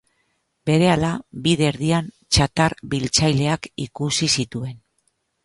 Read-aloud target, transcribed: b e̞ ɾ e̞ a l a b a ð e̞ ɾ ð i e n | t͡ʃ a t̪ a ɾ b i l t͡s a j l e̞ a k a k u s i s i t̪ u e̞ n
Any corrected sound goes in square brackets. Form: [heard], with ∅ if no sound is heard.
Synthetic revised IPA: b e̞ ɾ e̞ a l a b [i] ð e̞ ɾ ð i [a] n | t͡ʃ a t̪ a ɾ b i l t͡s a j l e̞ a k [i] k u s i s i t̪ u e̞ n